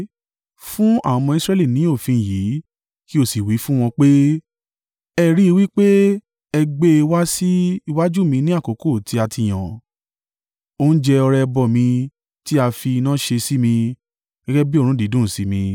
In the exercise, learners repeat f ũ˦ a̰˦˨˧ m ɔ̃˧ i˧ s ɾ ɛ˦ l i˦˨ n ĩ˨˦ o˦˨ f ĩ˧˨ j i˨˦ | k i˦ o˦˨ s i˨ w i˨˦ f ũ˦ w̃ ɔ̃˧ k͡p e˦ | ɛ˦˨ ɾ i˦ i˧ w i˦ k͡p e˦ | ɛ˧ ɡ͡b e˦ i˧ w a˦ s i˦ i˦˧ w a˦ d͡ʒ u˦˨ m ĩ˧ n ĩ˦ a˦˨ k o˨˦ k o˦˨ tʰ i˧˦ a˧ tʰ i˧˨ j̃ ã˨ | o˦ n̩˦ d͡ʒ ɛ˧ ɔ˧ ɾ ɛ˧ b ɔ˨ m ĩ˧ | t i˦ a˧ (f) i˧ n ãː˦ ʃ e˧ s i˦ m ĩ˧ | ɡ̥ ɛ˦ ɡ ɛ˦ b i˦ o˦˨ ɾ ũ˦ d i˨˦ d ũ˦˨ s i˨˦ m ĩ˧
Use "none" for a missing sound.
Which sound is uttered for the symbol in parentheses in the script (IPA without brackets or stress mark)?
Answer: f